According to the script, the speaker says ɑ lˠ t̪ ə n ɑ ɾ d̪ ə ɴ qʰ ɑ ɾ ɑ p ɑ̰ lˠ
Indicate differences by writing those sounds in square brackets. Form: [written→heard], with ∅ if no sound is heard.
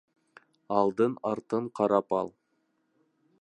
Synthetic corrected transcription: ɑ lˠ [t̪→d̪] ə n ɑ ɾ [d̪→t̪] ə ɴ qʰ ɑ ɾ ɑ p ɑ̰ lˠ

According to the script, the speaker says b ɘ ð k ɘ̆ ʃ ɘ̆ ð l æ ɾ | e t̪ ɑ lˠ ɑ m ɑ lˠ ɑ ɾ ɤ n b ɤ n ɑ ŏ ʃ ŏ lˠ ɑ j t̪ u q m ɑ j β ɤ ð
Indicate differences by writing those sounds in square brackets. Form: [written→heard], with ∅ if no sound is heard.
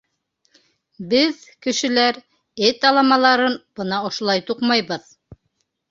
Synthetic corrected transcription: b ɘ ð k ɘ̆ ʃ ɘ̆ [ð→∅] l æ ɾ | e t̪ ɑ lˠ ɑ m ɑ lˠ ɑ ɾ ɤ n b ɤ n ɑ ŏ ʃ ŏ lˠ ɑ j t̪ u q m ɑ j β ɤ ð

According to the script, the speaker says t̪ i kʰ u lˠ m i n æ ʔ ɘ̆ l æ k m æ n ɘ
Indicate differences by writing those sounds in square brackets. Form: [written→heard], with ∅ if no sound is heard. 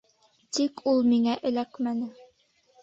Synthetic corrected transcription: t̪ i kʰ u lˠ m i [n→ŋ] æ ʔ ɘ̆ l æ k m æ n ɘ

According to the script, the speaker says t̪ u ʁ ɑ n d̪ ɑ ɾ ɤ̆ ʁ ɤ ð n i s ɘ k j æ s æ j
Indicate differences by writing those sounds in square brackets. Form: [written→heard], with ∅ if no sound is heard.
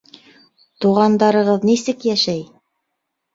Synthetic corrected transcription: t̪ u ʁ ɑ n d̪ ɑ ɾ ɤ̆ ʁ ɤ ð n i s ɘ k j æ [s→ʃ] æ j

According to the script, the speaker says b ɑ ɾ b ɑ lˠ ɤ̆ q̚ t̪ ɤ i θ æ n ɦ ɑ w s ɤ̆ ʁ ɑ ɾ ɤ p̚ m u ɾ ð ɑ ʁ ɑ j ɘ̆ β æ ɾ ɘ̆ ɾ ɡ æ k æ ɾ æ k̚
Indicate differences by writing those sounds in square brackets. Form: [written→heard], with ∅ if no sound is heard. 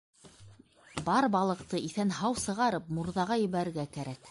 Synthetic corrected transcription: b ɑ ɾ b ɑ lˠ ɤ̆ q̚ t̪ ɤ i θ æ n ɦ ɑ w s ɤ̆ ʁ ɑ ɾ ɤ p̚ m u ɾ ð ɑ ʁ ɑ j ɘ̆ β æ ɾ ɘ̆ ɾ ɡ æ k æ ɾ æ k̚

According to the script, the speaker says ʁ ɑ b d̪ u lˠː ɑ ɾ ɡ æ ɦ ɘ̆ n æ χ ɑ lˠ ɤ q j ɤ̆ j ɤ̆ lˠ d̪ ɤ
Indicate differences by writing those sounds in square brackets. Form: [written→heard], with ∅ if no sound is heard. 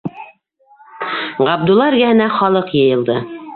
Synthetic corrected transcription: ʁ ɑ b d̪ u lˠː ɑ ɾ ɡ æ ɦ ɘ̆ n æ χ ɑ lˠ ɤ q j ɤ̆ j ɤ̆ lˠ d̪ ɤ

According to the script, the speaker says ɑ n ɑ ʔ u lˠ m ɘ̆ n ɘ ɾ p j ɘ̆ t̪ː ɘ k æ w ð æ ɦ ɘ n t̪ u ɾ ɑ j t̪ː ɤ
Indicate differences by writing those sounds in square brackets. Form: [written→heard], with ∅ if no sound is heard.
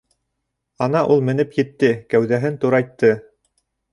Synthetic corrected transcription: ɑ n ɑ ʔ u lˠ m ɘ̆ n ɘ [ɾ→∅] p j ɘ̆ t̪ː ɘ k æ w ð æ ɦ ɘ n t̪ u ɾ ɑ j t̪ː ɤ

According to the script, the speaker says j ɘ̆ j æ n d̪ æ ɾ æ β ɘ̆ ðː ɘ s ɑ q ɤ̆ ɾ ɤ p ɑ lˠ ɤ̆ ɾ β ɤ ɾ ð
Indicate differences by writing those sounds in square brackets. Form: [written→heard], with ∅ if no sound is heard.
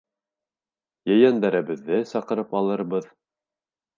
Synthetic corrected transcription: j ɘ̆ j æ n d̪ æ ɾ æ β ɘ̆ ðː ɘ s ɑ q ɤ̆ ɾ ɤ p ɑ lˠ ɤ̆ ɾ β ɤ [ɾ→∅] ð

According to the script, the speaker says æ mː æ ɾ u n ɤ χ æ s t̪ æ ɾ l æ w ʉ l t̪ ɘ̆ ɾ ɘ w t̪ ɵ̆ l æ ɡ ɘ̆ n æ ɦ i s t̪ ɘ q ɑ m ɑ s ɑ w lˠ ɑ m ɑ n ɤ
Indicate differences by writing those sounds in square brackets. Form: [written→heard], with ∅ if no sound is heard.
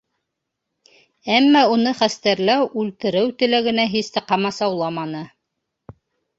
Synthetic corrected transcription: æ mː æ [ɾ→∅] u n ɤ χ æ s t̪ æ ɾ l æ w ʉ l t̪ ɘ̆ ɾ ɘ w t̪ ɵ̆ l æ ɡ ɘ̆ n æ ɦ i s t̪ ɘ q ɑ m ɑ s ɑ w lˠ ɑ m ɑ n ɤ

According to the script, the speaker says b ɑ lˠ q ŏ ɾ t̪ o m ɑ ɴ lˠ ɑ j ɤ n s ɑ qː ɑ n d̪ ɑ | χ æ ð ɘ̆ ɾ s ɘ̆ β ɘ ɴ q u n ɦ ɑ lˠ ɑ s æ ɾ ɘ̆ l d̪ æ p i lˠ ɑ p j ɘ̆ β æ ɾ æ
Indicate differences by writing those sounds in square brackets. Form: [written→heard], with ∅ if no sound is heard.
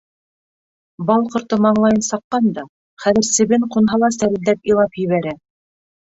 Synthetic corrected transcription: b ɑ lˠ q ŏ ɾ t̪ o m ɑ ɴ lˠ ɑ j ɤ n s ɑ qː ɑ n d̪ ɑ | χ æ ð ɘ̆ ɾ s ɘ̆ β ɘ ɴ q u n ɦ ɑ lˠ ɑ s æ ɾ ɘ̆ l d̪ æ p i lˠ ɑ p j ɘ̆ β æ ɾ æ

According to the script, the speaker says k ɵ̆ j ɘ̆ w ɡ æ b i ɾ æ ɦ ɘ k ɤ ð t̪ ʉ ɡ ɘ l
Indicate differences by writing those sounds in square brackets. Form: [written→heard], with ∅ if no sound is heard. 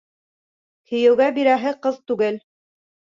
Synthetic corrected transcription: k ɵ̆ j ɘ̆ w ɡ æ b i ɾ æ ɦ ɘ [k→q] ɤ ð t̪ ʉ ɡ ɘ l

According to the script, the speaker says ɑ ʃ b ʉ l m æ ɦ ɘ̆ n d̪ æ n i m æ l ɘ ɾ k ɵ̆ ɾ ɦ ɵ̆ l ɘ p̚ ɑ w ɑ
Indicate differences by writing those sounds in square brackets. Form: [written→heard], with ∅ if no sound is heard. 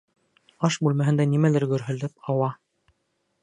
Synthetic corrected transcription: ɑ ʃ b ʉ l m æ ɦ ɘ̆ n d̪ æ n i m æ l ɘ ɾ [k→ɡ] ɵ̆ ɾ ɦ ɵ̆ l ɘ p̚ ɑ w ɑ

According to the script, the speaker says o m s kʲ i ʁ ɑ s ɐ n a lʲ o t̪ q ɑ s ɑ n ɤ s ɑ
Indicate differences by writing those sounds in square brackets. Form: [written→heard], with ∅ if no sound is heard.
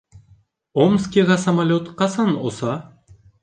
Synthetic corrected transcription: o m s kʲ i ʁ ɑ s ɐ [n→m] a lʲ o t̪ q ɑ s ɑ n [ɤ→o] s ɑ

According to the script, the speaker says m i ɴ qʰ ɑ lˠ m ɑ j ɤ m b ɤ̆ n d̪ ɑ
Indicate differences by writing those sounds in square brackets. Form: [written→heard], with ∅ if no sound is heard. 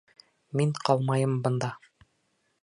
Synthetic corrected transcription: m i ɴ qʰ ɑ lˠ m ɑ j ɤ m b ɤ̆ n d̪ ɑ

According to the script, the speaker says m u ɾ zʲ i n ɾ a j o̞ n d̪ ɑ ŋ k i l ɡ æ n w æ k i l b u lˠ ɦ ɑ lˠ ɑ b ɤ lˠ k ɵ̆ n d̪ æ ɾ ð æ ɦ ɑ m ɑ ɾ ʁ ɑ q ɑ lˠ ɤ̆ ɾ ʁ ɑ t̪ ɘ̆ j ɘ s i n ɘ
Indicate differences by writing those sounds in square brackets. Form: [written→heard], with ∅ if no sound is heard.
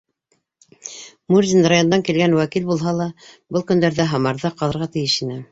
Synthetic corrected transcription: m u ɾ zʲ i n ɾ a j o̞ n d̪ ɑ ŋ k i l ɡ æ n w æ k i l b u lˠ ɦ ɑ lˠ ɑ b ɤ lˠ k ɵ̆ n d̪ æ ɾ ð æ ɦ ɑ m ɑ ɾ [ʁ→ð] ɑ q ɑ lˠ ɤ̆ ɾ ʁ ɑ t̪ ɘ̆ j ɘ [s→ʃ] i n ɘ

